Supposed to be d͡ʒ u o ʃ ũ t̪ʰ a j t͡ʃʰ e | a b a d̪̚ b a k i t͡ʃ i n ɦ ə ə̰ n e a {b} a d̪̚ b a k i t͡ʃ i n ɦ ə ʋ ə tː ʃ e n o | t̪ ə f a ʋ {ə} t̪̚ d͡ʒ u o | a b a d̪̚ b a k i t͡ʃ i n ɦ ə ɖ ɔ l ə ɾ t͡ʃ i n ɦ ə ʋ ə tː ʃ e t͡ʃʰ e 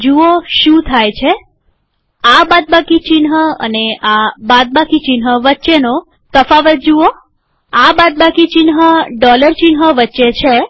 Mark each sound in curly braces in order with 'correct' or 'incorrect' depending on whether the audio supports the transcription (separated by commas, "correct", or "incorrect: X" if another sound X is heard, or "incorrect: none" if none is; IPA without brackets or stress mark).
correct, correct